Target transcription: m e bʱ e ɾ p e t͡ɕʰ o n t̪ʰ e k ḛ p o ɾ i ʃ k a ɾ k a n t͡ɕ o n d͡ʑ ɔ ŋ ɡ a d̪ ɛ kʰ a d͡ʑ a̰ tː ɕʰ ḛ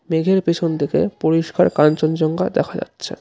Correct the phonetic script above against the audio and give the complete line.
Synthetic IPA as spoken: m e ɡʱ e ɾ p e t͡ɕʰ o n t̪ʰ e k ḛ p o ɾ i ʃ k a ɾ k a n t͡ɕ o n d͡ʑ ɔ ŋ ɡ a d̪ ɛ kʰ a d͡ʑ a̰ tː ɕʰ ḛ